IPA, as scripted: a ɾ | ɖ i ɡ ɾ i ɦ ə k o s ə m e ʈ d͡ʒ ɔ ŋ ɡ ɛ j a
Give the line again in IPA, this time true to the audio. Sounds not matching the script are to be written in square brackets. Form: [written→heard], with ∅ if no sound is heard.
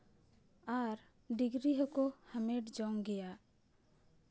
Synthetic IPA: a ɾ | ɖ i ɡ ɾ i ɦ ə k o [s→h] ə m e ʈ d͡ʒ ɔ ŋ ɡ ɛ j a